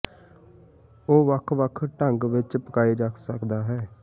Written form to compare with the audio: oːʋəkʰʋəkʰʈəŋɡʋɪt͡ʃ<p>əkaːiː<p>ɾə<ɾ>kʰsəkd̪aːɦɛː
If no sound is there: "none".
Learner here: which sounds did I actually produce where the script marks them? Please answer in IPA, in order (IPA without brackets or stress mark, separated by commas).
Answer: p, none, none